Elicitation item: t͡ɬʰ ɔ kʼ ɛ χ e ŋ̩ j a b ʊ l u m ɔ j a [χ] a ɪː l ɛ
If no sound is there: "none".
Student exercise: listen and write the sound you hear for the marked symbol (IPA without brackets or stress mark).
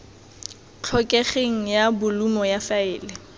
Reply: f